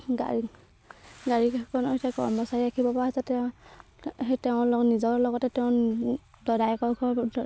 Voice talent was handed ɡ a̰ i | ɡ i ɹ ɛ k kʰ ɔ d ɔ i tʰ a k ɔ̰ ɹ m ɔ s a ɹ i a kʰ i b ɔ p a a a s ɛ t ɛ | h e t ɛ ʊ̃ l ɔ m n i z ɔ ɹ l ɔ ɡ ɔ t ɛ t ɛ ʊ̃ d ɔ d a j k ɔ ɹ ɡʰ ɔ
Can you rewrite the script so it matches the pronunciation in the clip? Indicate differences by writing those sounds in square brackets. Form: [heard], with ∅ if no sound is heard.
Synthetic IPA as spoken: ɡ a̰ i | ɡ [a] ɹ [i] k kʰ ɔ [n] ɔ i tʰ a k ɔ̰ ɹ m ɔ s a ɹ i a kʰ i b ɔ p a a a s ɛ t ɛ | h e t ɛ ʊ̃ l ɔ [∅] n i z ɔ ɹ l ɔ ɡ ɔ t ɛ t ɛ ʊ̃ d ɔ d a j k ɔ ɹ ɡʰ ɔ